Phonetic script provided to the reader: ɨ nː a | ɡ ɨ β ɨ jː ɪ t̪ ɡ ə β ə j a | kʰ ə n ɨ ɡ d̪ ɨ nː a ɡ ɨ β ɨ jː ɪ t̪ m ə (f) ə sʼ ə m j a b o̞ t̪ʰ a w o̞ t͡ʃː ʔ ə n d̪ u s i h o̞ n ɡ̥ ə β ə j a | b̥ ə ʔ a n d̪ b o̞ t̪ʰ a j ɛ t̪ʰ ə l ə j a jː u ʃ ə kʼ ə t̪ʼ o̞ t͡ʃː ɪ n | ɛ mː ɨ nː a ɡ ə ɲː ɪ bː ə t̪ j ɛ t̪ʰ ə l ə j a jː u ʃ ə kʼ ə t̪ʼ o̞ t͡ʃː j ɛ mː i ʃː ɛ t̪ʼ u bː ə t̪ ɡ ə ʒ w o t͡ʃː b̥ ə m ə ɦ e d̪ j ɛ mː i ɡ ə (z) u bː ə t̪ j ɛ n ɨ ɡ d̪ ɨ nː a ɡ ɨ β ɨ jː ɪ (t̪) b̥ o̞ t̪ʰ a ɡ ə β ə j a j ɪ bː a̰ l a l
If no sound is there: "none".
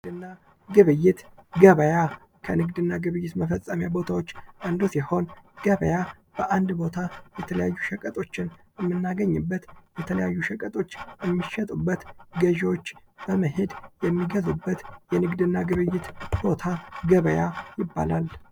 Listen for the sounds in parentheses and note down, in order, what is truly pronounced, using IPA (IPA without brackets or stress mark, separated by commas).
f, z, t̪